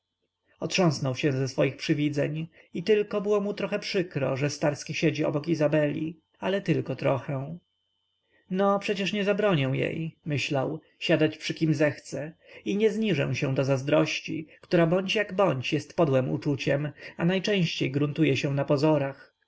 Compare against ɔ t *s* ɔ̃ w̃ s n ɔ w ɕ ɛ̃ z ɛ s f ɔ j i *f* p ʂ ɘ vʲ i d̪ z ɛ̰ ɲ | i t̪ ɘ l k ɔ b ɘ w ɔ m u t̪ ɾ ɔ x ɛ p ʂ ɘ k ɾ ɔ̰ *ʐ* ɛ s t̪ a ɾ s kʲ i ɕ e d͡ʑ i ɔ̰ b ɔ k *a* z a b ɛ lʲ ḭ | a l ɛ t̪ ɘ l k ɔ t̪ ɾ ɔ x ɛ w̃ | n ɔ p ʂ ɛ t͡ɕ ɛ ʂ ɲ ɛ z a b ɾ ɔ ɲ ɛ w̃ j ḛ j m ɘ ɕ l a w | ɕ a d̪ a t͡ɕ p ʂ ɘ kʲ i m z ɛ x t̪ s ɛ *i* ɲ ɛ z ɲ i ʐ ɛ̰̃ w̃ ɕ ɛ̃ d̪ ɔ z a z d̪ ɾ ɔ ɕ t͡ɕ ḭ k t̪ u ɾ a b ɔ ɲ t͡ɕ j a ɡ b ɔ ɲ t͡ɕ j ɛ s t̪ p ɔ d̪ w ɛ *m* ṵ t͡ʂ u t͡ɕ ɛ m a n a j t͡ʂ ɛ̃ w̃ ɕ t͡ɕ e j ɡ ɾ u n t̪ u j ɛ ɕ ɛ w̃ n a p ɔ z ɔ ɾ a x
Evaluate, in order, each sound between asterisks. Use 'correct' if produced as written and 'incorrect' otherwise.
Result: incorrect, incorrect, correct, incorrect, correct, correct

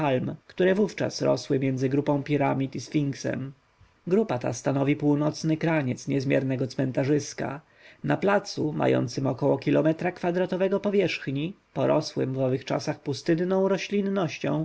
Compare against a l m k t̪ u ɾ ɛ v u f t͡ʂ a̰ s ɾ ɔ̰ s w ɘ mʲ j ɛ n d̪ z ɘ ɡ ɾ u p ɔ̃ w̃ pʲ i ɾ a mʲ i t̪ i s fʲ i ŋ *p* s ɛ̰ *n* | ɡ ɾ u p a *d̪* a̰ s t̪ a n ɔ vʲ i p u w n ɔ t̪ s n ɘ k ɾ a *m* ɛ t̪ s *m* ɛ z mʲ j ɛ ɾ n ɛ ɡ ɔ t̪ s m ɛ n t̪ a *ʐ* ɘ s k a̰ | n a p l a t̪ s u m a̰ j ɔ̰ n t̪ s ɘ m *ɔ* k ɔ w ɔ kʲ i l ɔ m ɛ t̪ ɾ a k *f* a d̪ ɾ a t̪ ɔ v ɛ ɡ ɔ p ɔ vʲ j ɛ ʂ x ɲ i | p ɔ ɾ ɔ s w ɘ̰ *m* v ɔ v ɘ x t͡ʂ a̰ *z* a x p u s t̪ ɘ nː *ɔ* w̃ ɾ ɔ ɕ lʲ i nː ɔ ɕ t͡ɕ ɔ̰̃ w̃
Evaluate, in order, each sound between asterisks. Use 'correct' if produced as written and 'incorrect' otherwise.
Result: incorrect, incorrect, incorrect, incorrect, incorrect, correct, correct, correct, correct, incorrect, incorrect

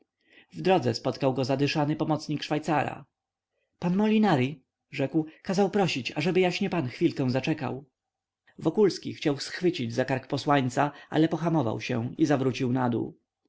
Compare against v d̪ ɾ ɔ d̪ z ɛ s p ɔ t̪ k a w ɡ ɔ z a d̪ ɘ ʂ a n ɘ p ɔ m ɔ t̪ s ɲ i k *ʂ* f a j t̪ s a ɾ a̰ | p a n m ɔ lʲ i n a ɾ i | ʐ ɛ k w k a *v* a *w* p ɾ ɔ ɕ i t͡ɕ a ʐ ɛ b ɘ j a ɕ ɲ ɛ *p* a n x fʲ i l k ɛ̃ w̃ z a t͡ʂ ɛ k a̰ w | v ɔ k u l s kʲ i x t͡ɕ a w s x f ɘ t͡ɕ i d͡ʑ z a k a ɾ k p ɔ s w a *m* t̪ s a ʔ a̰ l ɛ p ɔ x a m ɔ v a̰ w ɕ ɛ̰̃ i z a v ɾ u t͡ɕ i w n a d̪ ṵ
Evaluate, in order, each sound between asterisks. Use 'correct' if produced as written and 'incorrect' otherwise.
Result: correct, incorrect, correct, correct, incorrect

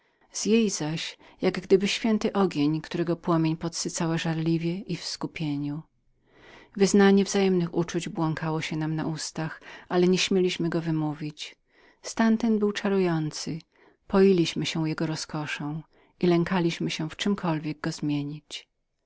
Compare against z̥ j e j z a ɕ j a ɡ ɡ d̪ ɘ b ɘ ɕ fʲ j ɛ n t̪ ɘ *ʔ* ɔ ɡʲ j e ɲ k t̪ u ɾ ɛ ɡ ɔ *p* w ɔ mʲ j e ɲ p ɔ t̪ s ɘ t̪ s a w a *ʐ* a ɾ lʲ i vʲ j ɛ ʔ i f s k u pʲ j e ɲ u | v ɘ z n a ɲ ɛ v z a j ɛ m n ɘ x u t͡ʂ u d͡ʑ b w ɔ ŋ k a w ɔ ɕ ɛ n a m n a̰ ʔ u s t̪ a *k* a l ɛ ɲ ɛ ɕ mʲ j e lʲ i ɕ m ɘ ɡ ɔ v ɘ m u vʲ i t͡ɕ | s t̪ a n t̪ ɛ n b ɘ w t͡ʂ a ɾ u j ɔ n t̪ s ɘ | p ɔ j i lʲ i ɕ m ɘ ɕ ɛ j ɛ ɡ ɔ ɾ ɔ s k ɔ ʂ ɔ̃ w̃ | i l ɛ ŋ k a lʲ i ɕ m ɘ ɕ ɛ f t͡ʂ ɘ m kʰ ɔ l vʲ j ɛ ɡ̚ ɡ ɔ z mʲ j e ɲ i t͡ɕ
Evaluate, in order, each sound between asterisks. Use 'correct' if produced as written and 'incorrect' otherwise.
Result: correct, correct, correct, incorrect

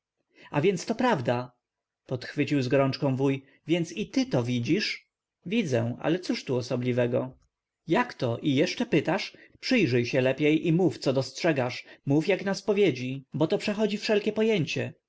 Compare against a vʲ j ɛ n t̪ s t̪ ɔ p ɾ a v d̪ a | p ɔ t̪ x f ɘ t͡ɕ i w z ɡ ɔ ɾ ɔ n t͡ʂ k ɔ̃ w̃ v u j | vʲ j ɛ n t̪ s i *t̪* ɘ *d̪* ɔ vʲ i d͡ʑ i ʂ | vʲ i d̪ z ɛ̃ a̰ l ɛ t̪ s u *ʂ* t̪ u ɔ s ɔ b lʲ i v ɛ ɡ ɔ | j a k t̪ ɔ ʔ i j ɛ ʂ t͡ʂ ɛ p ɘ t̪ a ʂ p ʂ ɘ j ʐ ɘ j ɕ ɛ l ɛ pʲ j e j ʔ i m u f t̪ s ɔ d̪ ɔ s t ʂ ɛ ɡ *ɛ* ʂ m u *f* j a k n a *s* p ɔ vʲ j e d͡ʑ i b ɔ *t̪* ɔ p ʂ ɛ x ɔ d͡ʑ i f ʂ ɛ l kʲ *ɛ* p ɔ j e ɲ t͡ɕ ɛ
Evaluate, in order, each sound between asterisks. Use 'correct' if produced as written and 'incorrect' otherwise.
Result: correct, incorrect, correct, incorrect, correct, correct, correct, correct

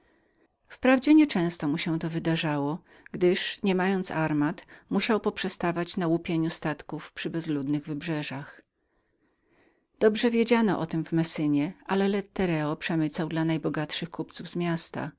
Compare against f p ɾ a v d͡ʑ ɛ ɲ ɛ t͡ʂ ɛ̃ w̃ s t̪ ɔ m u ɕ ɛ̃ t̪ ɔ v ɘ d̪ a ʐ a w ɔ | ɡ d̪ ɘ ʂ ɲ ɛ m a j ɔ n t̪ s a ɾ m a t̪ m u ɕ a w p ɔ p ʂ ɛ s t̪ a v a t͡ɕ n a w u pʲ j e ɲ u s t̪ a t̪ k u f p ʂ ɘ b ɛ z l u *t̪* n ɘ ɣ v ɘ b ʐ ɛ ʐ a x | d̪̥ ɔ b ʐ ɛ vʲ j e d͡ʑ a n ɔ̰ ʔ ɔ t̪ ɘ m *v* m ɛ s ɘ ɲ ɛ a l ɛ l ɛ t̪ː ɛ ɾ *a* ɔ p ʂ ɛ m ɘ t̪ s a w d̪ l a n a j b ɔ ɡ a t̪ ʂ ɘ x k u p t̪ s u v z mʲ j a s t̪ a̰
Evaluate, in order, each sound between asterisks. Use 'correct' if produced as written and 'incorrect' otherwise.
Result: incorrect, correct, incorrect

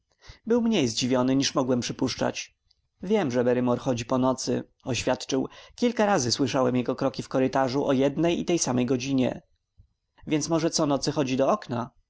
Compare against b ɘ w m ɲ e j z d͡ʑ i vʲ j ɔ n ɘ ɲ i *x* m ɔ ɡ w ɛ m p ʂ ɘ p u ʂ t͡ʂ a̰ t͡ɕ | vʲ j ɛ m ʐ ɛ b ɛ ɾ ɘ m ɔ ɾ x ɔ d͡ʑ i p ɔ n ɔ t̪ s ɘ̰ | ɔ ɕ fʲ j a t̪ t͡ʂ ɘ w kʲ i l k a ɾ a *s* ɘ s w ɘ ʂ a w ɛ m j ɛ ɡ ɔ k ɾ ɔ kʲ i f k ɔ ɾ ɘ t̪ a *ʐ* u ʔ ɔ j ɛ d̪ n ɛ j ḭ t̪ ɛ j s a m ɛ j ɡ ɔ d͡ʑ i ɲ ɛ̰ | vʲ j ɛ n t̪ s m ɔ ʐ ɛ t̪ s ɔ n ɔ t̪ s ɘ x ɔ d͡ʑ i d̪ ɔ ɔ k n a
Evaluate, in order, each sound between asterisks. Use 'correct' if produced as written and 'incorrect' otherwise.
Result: incorrect, incorrect, correct

